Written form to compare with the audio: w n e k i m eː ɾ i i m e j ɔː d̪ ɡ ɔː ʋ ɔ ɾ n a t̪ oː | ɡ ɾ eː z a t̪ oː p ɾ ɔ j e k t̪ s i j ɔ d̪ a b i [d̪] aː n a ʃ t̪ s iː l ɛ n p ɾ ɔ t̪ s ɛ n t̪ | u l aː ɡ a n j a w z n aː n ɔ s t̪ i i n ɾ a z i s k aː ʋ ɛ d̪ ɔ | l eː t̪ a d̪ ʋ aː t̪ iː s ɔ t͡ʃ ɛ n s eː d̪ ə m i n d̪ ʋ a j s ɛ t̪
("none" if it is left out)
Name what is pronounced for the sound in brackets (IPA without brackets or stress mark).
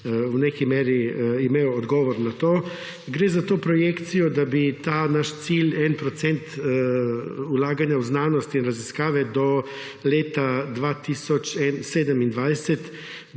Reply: t̪